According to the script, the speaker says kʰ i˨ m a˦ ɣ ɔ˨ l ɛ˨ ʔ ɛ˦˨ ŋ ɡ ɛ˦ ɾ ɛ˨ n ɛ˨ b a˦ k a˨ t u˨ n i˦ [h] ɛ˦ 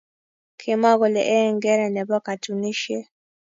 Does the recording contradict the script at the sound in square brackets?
yes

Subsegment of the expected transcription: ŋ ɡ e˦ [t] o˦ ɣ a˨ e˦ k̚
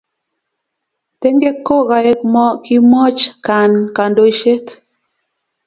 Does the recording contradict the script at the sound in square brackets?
yes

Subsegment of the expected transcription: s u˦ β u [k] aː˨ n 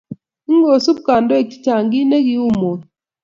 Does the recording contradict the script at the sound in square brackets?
no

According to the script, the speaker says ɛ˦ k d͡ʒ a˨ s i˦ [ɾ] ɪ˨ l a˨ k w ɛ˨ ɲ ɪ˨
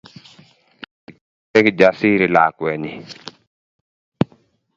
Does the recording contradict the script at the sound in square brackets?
no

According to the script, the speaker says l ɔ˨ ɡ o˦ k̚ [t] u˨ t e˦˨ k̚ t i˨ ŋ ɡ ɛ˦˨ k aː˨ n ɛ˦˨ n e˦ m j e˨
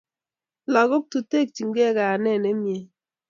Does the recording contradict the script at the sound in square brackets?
no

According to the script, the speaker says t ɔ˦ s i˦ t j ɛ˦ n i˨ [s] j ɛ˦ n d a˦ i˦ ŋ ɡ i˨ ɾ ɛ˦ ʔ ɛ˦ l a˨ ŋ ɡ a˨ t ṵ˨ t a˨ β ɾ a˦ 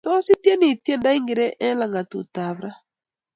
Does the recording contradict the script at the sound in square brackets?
yes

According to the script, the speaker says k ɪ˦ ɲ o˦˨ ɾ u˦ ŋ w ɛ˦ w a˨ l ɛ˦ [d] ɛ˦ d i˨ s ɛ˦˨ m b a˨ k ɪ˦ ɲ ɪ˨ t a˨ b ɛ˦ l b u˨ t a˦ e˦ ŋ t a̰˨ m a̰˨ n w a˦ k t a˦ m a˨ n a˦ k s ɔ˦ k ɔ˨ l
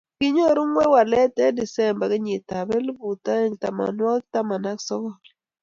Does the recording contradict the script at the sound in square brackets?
yes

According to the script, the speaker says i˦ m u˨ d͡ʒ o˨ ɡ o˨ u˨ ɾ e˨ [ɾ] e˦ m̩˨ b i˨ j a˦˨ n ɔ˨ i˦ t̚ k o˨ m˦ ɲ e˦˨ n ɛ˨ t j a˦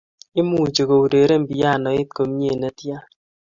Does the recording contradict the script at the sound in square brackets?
no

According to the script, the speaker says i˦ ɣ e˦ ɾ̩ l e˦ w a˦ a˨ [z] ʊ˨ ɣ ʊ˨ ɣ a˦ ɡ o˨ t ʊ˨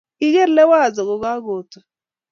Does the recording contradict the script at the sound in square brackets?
no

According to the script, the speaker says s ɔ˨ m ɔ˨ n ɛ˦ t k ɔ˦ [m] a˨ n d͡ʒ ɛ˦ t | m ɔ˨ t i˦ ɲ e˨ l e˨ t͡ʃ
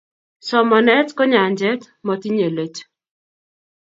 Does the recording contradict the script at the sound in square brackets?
yes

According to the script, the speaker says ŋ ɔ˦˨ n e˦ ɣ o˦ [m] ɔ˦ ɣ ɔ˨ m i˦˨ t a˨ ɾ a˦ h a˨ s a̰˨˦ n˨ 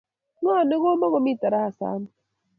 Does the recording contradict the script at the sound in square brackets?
no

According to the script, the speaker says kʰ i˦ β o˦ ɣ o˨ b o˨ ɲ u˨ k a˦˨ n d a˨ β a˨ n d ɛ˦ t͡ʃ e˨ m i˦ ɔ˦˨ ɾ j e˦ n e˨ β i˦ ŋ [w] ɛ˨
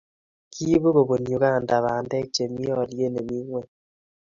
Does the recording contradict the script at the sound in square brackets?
no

